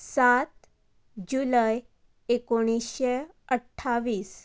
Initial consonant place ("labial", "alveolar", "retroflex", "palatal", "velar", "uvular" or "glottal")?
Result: alveolar